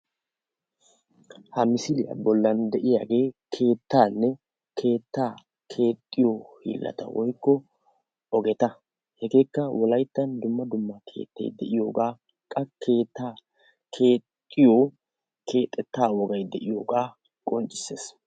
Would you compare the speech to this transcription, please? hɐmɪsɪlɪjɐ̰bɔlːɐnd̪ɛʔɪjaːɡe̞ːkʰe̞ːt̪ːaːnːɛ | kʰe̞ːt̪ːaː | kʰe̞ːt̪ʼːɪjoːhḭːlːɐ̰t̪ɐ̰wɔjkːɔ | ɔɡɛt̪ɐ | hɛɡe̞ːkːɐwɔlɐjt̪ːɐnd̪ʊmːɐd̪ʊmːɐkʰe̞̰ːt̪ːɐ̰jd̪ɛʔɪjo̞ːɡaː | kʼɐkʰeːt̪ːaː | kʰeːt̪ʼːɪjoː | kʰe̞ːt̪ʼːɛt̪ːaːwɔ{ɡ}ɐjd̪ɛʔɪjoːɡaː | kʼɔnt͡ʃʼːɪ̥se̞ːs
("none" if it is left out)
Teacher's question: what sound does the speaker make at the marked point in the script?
ɡ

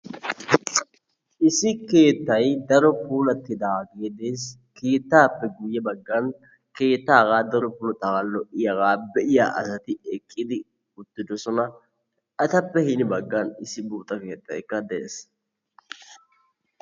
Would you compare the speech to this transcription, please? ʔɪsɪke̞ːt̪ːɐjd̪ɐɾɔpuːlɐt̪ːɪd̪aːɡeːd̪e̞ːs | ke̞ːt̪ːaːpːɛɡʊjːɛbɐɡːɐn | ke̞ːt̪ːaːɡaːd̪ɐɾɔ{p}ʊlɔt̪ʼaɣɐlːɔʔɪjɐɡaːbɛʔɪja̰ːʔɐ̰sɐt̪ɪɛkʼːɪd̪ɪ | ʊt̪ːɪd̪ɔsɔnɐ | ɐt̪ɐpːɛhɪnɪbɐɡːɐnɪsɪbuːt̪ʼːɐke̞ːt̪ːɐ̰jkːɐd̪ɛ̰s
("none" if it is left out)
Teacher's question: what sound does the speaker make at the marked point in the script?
p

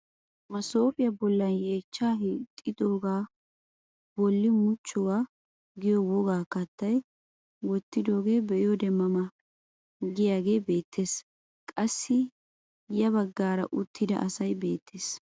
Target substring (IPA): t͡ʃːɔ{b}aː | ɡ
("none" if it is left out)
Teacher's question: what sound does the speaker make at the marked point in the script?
w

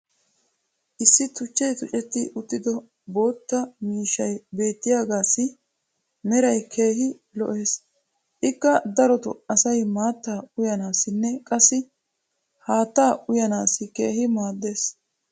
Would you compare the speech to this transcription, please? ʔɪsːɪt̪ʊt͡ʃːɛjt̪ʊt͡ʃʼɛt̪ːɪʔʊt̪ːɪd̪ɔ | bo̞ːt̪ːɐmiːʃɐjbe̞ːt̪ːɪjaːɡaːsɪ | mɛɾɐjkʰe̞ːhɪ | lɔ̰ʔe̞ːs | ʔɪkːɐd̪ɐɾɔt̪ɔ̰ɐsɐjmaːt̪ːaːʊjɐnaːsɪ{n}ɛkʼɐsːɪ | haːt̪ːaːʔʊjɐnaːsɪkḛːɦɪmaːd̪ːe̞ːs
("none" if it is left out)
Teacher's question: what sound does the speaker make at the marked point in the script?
nː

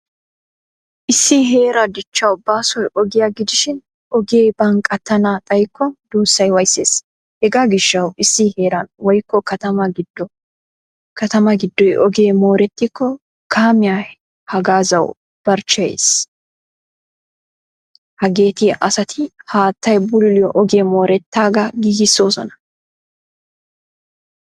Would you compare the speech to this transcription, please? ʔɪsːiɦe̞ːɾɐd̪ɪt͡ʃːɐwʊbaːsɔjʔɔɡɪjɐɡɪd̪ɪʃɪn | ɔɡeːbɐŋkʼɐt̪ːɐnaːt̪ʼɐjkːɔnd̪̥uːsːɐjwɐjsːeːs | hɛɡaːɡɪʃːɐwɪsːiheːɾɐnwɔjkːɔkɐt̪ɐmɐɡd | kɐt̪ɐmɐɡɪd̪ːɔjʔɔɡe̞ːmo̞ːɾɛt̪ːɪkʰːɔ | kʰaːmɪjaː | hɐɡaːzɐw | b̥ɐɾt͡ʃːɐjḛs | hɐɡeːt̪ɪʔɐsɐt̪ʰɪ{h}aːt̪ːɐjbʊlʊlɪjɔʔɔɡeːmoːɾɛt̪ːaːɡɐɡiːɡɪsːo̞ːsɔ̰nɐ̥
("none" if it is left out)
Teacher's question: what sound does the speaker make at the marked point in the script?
h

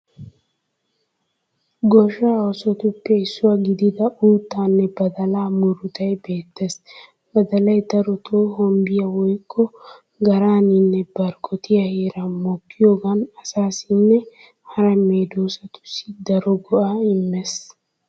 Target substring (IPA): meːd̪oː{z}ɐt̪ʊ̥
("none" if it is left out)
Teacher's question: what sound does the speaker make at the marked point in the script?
s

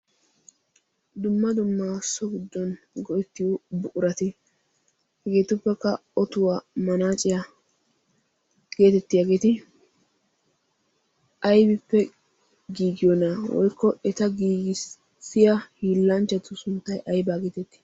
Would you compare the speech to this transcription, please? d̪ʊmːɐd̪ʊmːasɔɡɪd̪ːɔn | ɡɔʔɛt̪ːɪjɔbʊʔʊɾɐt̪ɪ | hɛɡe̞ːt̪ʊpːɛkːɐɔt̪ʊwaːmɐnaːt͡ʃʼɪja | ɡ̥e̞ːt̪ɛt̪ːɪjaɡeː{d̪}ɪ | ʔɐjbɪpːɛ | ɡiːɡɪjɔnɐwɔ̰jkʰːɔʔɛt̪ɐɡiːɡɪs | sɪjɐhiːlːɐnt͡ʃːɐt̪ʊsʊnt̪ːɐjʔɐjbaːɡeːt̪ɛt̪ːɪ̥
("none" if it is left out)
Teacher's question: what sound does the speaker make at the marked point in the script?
t̪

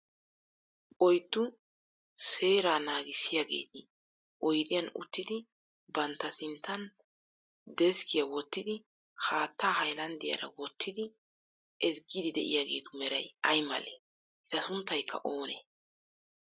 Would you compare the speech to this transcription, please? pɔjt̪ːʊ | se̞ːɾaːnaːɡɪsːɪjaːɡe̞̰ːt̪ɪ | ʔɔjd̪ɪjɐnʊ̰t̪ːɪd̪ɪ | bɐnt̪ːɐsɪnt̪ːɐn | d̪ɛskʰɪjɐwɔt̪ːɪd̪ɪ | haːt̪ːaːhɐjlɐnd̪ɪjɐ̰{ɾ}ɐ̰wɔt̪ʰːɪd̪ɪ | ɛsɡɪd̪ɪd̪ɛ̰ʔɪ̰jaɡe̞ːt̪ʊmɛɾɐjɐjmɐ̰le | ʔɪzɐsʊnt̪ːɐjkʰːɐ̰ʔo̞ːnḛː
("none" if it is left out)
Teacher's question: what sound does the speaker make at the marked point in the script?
ɾ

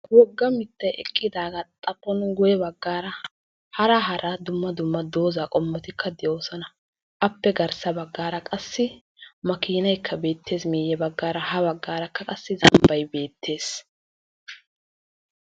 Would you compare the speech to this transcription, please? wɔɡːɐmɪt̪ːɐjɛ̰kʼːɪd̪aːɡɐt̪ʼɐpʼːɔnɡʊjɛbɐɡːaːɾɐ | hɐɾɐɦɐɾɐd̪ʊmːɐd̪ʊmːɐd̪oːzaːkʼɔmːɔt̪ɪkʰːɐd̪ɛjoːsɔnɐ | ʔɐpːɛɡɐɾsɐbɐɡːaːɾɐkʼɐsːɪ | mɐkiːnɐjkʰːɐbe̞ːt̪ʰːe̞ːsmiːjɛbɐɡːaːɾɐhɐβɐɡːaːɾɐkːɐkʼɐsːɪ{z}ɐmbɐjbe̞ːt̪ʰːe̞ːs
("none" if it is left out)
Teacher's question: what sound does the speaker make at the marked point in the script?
z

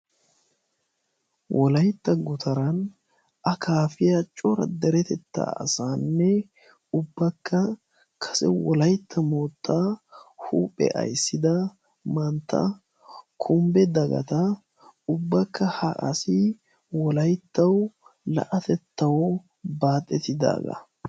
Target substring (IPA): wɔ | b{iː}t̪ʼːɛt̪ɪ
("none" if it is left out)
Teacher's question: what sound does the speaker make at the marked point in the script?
aː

